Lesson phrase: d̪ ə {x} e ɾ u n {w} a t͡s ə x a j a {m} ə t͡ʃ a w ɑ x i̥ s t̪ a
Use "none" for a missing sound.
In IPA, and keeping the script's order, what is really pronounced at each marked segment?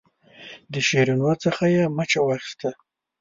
ʃ, w, m

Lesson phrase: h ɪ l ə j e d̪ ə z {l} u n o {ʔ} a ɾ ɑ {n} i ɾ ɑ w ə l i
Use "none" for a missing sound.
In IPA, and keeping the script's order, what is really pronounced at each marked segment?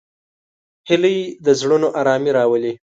ɽ, ʔ, m

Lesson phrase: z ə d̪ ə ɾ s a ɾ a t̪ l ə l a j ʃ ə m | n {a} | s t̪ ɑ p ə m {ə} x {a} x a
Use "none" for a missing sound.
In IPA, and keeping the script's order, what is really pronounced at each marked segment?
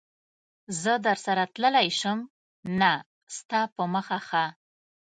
a, ə, a

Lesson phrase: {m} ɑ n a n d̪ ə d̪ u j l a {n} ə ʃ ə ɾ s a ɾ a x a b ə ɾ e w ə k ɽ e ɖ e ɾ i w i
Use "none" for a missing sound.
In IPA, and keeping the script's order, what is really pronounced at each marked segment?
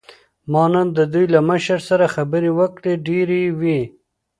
m, m

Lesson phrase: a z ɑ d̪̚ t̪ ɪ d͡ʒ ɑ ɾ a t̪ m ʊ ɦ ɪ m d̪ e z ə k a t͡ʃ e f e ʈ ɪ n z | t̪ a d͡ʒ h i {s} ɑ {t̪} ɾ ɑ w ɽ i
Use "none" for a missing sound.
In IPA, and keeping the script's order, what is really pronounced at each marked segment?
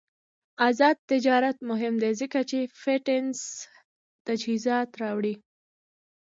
z, t̪

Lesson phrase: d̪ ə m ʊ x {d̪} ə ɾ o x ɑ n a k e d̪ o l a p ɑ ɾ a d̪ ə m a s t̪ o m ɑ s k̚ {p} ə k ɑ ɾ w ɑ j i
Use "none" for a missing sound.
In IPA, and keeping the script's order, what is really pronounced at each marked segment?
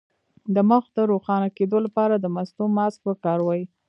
d̪, p

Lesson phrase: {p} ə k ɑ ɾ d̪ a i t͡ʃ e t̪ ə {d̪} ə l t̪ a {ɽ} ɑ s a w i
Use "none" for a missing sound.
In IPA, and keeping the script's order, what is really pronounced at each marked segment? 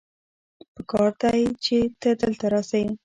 p, d̪, ɾ

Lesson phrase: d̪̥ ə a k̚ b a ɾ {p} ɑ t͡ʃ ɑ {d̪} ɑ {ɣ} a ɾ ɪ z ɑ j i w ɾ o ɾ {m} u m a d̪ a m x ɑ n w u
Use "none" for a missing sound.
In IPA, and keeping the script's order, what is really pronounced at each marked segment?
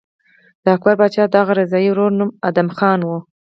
b, d̪, ɣ, n

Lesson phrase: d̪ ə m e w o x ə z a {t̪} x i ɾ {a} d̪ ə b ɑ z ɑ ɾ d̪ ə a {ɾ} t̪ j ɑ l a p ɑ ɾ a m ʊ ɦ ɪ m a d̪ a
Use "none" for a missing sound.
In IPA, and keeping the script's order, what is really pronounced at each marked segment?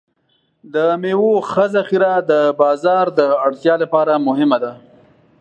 none, a, ɽ

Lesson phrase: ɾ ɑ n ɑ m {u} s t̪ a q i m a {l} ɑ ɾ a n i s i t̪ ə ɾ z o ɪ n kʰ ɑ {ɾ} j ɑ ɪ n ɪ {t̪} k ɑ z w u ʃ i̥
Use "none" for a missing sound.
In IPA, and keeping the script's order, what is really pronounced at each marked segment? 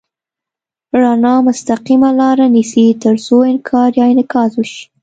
ʊ, l, ɾ, none

